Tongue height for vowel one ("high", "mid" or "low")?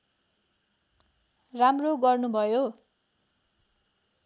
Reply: low